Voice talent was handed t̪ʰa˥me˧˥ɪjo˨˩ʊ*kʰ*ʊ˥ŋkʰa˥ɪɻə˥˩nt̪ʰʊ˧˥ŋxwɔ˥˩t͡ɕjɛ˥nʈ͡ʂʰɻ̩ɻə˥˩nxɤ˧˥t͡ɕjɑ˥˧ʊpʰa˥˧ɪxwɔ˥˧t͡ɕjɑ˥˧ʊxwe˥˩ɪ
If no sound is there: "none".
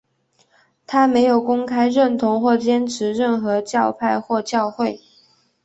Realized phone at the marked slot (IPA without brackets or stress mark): k